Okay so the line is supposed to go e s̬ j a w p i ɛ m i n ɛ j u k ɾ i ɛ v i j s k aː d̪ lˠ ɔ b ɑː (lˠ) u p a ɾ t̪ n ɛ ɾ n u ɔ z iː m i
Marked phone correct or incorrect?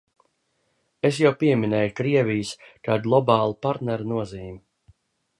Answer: correct